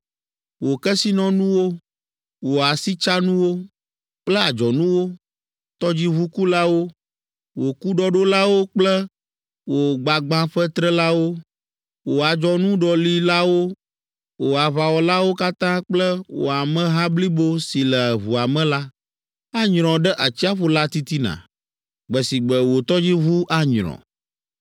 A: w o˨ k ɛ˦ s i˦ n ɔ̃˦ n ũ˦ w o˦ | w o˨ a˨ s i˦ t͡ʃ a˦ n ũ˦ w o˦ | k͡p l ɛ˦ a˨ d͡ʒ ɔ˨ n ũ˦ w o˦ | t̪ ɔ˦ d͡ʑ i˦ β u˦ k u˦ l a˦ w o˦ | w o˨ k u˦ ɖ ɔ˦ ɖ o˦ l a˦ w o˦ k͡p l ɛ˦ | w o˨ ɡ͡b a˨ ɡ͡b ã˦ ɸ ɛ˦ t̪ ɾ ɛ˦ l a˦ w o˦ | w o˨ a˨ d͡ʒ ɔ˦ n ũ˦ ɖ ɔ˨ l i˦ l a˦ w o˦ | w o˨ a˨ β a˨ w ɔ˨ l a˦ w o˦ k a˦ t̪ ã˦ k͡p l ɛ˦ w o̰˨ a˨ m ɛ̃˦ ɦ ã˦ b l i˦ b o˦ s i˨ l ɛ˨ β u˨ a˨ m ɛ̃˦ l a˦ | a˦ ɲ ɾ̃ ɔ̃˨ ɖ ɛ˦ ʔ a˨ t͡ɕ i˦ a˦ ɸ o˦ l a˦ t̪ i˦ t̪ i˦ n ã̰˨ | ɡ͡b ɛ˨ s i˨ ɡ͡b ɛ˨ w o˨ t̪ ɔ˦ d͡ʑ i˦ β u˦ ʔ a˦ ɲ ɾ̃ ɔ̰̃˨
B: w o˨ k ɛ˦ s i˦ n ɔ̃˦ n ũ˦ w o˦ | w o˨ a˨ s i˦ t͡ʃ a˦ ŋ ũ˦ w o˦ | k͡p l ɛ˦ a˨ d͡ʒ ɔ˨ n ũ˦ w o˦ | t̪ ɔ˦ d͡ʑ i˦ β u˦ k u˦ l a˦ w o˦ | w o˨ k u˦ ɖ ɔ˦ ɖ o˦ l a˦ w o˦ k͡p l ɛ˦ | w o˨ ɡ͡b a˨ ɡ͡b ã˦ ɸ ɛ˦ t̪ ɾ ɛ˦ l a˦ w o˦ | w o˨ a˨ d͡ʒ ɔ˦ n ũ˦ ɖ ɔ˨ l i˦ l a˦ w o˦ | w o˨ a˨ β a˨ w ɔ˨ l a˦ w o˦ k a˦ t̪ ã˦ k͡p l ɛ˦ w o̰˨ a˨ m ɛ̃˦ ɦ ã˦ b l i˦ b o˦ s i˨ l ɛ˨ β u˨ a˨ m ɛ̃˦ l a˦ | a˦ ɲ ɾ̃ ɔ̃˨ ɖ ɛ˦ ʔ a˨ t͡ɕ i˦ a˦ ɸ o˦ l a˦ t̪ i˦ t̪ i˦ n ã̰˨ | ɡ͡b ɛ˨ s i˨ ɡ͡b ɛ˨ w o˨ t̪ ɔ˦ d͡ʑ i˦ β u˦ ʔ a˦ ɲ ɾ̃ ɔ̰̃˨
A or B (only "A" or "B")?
A